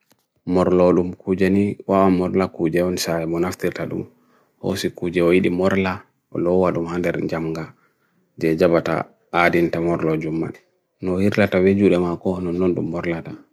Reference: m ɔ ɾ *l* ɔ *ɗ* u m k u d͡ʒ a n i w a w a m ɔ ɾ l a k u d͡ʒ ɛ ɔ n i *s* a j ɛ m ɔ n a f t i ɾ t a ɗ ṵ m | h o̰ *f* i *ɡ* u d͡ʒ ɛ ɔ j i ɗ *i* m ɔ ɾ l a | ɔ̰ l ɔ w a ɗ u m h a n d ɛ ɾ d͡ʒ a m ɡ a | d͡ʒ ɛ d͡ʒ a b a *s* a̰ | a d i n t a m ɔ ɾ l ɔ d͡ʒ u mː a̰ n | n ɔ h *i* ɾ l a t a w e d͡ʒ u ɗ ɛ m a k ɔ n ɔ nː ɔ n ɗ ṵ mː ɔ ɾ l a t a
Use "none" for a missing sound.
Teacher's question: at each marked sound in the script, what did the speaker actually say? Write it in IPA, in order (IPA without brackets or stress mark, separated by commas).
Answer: l, ɗ, s, s, k, i, t, i